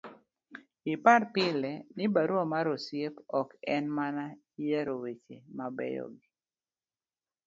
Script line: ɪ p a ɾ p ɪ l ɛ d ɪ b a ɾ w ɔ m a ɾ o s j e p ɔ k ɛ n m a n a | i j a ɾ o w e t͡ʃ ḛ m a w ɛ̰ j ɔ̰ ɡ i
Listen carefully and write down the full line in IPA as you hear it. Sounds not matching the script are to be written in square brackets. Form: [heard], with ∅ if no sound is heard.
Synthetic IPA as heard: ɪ p a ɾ p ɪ l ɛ [n] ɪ b a ɾ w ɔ m a ɾ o s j e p ɔ k ɛ n m a n a | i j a ɾ o w e t͡ʃ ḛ m a [b] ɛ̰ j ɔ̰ ɡ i